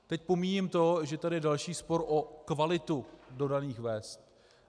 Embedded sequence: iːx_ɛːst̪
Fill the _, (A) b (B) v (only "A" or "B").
B